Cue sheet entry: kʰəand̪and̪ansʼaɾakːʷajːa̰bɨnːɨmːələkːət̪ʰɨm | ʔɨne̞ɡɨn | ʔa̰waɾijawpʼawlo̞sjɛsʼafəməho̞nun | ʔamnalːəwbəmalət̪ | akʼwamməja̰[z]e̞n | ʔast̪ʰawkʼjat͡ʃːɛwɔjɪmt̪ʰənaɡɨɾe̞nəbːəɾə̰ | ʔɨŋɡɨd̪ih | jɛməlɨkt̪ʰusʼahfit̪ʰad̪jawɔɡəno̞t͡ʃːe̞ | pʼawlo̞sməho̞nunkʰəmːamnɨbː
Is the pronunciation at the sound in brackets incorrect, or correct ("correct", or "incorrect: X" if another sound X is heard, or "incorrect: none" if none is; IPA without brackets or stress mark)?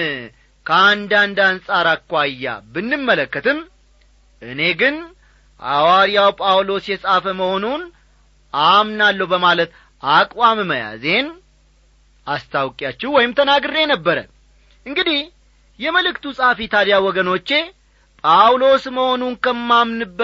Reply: correct